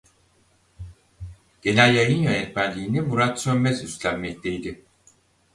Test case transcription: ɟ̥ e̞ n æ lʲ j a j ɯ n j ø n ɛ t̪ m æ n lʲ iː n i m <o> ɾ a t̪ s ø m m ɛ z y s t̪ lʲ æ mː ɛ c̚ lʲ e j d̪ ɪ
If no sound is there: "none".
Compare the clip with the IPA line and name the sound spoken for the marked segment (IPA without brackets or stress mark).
u